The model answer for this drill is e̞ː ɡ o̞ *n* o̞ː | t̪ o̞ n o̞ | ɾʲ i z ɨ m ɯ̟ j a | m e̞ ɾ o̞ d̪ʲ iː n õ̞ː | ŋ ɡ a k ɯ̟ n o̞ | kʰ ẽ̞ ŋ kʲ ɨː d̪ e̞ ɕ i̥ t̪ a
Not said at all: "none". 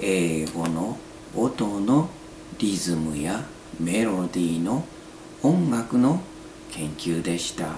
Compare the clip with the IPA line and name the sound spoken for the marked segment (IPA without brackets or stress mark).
n